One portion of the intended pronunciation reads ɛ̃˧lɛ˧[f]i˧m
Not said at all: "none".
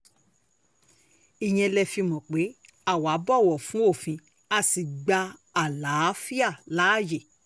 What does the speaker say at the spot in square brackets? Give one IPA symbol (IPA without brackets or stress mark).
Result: f